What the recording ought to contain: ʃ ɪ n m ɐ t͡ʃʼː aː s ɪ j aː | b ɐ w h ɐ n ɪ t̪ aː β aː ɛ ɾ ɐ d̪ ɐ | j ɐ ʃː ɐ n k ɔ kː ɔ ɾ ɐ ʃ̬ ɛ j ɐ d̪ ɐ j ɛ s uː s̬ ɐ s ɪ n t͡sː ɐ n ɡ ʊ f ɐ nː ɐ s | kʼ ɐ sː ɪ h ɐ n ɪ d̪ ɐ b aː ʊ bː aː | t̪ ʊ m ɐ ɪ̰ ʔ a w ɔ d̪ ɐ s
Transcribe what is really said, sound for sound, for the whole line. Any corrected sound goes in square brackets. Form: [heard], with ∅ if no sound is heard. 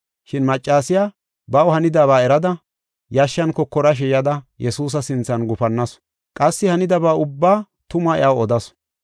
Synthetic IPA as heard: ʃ ɪ n m ɐ t͡ʃʼː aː s ɪ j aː | b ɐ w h ɐ n ɪ [d̪] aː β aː ɛ ɾ ɐ d̪ ɐ | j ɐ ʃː ɐ n k ɔ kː ɔ ɾ ɐ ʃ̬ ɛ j ɐ d̪ ɐ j ɛ s uː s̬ ɐ s ɪ n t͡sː ɐ n ɡ ʊ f ɐ nː ɐ s | kʼ ɐ sː ɪ h ɐ n ɪ d̪ ɐ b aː ʊ bː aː | t̪ ʊ m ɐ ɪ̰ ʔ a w ɔ d̪ ɐ s